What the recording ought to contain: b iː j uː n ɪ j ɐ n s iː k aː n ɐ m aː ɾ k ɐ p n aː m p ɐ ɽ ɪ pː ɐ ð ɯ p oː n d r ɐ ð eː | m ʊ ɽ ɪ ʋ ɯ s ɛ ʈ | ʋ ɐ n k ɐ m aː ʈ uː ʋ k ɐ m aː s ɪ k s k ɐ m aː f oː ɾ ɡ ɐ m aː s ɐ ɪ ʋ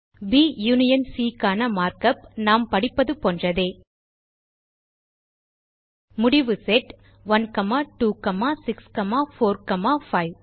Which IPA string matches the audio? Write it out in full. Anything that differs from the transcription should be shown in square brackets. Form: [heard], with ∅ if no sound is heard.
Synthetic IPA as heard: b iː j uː n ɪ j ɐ n s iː k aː n ɐ m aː ɾ k ɐ p n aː m p ɐ ɽ ɪ pː ɐ ð ɯ p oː n d r ɐ ð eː | m ʊ ɽ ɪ ʋ ɯ s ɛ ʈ | ʋ ɐ n k ɐ m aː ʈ uː [∅] k ɐ m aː s ɪ k s k ɐ m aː f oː ɾ [k] ɐ m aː [f] ɐ ɪ ʋ